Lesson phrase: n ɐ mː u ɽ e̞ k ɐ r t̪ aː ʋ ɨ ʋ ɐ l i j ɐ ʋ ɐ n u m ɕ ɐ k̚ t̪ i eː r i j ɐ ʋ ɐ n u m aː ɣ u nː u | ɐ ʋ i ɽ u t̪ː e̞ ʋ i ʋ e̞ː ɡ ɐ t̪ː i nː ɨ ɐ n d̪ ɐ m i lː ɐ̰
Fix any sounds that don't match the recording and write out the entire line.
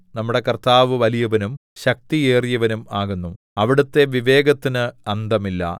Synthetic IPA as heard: n ɐ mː u ɽ e̞ k ɐ r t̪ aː ʋ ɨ ʋ ɐ l i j ɐ ʋ ɐ n u m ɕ ɐ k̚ t̪ i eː r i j ɐ ʋ ɐ n u m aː ɣ u nː u | ɐ ʋ i ɽ u t̪ː e̞ ʋ i ʋ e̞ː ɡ ɐ t̪ː i n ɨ ɐ n d̪ ɐ m i lː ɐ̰